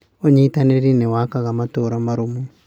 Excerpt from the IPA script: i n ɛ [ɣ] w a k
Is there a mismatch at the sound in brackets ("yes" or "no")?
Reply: yes